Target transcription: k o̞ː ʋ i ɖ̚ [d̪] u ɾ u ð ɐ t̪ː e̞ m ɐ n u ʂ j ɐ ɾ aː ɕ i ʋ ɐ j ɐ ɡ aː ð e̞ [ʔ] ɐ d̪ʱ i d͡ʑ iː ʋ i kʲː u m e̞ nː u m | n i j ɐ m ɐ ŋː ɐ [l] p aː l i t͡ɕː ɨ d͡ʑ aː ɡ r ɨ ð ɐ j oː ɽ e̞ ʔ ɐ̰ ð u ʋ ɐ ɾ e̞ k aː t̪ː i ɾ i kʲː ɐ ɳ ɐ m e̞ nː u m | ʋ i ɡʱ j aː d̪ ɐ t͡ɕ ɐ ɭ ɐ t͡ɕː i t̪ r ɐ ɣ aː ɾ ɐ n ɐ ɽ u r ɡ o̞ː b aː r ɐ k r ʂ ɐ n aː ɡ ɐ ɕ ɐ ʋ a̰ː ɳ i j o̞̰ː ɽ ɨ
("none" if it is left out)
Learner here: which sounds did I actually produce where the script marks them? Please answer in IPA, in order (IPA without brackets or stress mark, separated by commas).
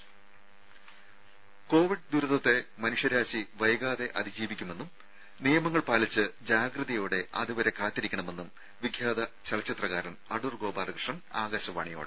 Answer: d̪, ʔ, ɭ